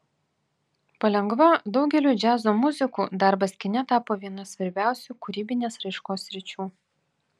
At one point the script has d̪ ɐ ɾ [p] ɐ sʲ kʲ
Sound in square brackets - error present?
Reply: yes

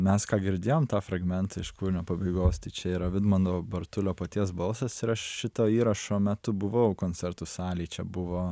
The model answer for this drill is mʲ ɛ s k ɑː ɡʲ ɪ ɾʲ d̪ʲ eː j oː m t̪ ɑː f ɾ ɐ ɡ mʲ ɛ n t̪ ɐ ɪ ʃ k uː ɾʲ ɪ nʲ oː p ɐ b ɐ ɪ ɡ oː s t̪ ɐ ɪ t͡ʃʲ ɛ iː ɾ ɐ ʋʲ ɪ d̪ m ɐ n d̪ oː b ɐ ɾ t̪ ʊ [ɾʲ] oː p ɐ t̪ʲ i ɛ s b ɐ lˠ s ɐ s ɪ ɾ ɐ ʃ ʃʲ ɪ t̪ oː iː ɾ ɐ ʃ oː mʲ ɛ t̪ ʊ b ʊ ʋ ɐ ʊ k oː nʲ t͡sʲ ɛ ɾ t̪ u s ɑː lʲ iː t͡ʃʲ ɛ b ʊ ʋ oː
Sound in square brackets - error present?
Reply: yes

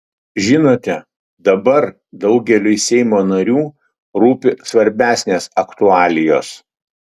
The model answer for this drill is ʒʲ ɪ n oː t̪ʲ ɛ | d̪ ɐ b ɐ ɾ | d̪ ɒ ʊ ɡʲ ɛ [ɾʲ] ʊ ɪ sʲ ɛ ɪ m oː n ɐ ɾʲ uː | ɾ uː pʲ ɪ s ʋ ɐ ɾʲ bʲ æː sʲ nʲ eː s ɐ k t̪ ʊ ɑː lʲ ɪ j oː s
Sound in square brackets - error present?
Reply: yes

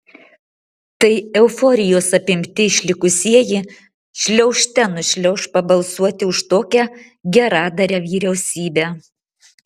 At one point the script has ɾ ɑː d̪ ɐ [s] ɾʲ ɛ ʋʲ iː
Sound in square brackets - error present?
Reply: yes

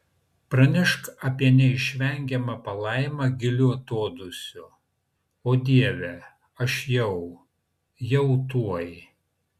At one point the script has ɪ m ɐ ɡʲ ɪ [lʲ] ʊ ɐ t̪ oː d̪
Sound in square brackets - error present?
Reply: no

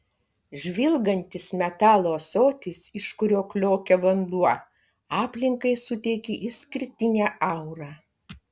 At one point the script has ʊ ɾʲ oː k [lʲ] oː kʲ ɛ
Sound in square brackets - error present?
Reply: no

